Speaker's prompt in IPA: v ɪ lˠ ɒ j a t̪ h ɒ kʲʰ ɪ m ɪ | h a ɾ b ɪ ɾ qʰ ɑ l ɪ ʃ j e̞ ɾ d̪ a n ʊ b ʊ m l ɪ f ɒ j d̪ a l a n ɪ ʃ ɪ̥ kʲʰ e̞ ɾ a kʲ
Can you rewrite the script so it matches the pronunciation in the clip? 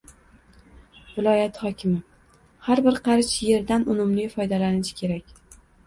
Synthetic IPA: v ɪ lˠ ɒ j a t̪ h ɒ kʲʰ ɪ m ɪ | h a ɾ b ɪ ɾ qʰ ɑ ɾ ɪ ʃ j e̞ ɾ d̪ a n ʊ m ʊ m l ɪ f ɒ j d̪ a l a n ɪ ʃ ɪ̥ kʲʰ e̞ ɾ a kʲ